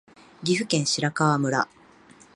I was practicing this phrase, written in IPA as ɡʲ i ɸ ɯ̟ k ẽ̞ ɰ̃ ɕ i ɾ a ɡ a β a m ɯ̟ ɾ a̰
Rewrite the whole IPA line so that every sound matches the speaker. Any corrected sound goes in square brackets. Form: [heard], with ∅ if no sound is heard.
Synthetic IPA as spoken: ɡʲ i ɸ ɯ̟ k ẽ̞ ɰ̃ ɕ i ɾ a [k] a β a m ɯ̟ ɾ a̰